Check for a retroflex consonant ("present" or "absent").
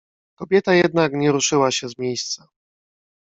present